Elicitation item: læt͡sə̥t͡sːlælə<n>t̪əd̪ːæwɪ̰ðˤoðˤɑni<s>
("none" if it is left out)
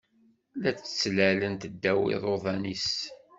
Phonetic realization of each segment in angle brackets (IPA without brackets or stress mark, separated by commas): n, s